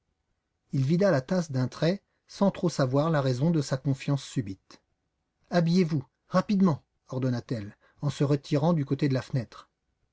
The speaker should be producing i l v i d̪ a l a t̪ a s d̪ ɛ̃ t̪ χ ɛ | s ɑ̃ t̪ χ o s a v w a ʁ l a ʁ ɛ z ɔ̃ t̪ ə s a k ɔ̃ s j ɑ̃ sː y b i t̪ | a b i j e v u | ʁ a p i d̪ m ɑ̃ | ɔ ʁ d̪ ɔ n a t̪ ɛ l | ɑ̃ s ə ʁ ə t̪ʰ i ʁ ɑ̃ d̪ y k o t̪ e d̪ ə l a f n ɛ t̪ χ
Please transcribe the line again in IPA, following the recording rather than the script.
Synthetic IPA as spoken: i l v i d̪ a l a t̪ a s d̪ ɛ̃ t̪ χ ɛ | s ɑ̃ t̪ χ o s a v w a ʁ l a ʁ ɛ z ɔ̃ d̪ ə s a k ɔ̃ f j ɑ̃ sː y b i t̪ | a b i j e v u | ʁ a p i d̪ m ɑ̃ | ɔ ʁ d̪ ɔ n a t̪ ɛ l | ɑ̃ s ə ʁ ə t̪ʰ i ʁ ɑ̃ d̪ y k o t̪ e d̪ ə l a f n ɛ t̪ χ